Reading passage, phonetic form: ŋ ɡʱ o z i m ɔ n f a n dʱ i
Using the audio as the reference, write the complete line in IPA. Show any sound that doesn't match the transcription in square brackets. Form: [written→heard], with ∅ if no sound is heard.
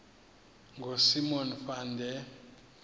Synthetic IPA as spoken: ŋ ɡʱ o [z→s] i m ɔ n f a n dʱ [i→ɛ]